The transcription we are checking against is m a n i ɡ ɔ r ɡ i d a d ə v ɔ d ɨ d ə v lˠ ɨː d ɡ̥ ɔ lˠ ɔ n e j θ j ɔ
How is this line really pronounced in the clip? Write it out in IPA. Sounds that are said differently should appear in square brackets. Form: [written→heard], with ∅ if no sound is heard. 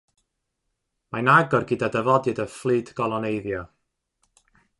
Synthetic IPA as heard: m a n [i→a] ɡ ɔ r ɡ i d a d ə v ɔ d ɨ d ə [v→f] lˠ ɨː d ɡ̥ ɔ lˠ ɔ n e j [θ→ð] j ɔ